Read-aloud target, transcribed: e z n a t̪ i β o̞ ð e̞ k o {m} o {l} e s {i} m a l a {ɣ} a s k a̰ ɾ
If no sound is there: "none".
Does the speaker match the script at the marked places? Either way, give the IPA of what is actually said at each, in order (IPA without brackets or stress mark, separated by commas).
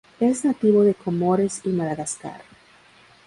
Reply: m, ɾ, i, ɣ